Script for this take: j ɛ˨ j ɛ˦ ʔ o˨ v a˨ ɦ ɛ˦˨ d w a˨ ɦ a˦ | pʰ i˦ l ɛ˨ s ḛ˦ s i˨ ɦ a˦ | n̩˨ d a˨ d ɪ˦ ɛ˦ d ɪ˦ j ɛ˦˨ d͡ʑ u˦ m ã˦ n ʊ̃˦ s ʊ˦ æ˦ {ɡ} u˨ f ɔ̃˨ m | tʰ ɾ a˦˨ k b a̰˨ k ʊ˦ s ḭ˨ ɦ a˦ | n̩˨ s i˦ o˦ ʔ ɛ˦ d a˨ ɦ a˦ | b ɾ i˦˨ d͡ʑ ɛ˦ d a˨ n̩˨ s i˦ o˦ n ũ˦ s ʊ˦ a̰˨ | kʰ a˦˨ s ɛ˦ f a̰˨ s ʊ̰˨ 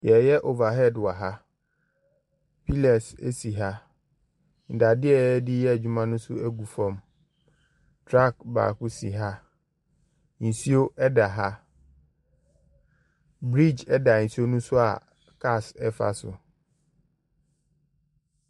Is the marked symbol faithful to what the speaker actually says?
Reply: yes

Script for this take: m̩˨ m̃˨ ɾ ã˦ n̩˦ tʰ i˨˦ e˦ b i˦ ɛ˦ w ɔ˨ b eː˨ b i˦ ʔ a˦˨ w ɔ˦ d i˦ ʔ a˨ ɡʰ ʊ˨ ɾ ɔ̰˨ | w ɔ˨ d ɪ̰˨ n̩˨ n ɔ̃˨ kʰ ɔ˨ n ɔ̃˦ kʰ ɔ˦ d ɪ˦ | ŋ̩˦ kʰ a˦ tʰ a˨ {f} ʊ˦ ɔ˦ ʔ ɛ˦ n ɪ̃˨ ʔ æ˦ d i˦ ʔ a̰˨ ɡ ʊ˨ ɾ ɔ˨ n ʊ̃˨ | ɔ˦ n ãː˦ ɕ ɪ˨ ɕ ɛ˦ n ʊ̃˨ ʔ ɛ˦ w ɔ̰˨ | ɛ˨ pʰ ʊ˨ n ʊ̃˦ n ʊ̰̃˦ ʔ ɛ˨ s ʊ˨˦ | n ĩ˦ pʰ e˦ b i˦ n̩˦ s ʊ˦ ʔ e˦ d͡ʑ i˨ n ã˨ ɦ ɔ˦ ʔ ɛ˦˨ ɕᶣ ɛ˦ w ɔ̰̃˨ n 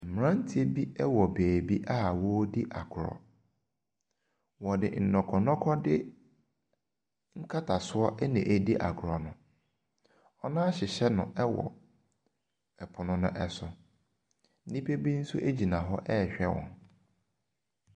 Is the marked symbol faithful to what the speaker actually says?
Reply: no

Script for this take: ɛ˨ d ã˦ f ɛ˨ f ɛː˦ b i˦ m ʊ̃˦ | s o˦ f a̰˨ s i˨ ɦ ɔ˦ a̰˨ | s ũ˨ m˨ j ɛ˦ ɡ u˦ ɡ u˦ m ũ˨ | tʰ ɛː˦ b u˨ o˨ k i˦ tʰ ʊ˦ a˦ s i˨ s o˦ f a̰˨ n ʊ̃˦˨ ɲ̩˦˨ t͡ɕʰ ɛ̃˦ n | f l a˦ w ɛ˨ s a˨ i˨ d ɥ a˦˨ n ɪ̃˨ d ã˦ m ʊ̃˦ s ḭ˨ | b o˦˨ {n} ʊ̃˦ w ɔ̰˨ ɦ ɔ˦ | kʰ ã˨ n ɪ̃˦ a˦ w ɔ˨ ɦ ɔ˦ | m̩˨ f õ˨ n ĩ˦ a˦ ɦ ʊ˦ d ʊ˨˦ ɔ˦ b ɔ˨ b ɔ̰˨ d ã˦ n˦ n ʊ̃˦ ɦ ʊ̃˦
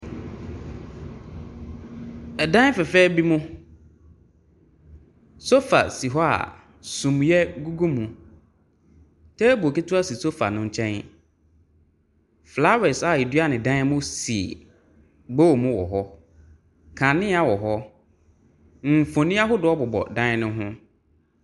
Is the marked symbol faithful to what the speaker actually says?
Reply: no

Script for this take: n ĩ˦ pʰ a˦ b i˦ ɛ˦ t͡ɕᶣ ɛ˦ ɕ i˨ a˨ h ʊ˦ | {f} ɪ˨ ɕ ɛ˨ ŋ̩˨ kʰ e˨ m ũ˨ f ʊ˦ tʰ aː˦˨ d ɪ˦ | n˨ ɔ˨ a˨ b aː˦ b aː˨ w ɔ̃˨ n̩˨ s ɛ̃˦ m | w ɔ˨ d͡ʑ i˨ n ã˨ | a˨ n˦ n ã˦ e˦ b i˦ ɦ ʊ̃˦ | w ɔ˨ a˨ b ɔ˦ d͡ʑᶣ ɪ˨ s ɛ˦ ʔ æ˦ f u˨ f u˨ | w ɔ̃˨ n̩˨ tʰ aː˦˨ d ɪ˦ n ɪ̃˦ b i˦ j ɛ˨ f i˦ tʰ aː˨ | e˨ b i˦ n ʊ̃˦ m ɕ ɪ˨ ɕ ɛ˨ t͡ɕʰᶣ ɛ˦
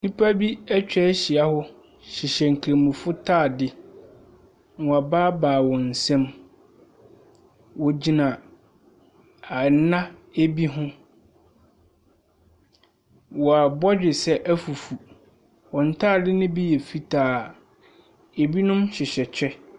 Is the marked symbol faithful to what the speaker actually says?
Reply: no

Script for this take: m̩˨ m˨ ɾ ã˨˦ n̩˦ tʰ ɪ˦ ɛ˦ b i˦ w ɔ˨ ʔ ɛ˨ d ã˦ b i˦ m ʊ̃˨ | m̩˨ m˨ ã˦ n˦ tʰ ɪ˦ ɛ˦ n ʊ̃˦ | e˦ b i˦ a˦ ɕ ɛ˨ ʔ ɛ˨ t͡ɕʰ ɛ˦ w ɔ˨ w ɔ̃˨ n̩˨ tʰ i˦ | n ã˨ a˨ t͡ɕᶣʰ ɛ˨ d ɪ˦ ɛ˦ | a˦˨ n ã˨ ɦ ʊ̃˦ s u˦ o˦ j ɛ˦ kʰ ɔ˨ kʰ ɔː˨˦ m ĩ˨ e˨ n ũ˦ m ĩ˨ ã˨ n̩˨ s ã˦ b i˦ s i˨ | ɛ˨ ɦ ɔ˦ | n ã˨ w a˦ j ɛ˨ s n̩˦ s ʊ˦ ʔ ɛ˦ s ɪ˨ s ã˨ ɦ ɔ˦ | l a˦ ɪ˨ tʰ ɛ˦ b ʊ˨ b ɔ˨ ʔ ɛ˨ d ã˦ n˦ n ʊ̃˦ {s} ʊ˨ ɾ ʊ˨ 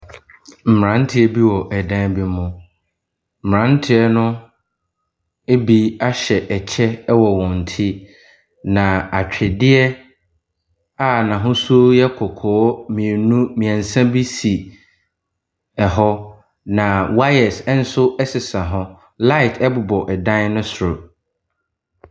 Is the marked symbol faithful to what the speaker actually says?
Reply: yes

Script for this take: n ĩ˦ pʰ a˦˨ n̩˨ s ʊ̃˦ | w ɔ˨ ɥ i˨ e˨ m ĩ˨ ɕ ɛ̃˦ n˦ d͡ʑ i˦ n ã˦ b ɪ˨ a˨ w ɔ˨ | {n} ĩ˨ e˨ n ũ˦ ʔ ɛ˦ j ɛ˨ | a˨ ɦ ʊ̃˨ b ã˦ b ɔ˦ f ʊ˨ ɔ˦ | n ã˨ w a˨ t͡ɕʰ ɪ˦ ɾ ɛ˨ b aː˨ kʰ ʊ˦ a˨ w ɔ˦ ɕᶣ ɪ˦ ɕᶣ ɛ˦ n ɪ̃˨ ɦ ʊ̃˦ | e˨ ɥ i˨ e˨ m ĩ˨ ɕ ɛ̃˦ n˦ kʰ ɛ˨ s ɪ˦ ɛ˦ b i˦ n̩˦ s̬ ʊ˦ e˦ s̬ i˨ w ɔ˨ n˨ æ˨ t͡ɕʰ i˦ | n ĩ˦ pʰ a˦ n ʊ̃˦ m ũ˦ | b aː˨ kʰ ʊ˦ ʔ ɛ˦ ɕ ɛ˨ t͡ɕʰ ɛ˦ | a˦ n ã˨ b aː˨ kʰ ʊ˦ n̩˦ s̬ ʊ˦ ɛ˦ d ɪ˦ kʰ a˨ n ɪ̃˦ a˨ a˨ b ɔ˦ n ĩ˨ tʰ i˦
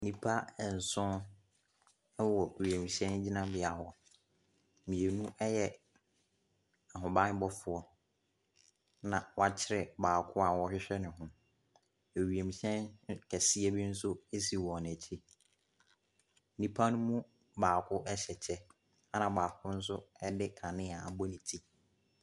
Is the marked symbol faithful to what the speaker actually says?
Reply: no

